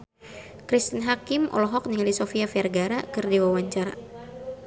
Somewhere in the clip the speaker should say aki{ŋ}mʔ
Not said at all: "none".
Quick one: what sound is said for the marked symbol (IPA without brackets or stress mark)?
none